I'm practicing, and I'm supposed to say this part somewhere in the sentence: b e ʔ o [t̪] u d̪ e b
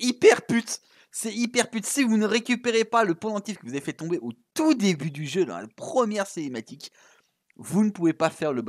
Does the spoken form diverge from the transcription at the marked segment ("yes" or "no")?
no